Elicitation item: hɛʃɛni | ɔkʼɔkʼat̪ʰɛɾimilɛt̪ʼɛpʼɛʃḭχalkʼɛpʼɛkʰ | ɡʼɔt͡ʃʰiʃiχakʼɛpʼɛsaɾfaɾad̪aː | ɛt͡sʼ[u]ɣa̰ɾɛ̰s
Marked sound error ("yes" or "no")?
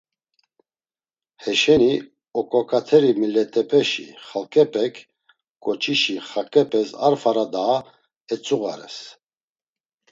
no